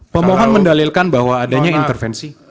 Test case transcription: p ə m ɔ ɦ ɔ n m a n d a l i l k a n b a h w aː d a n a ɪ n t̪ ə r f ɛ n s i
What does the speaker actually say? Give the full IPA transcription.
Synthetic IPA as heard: p ə m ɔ ɦ ɔ n m ə n d a l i l k a n b a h w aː d a ɲ a i n t̪ ə r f ɛ n s i